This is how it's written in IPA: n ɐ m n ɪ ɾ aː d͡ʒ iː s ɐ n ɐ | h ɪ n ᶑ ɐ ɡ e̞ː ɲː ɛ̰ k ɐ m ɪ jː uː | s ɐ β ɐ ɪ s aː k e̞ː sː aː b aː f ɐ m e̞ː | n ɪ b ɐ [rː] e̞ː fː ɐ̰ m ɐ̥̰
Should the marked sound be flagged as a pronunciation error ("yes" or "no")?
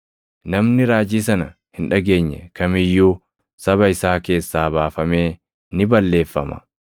yes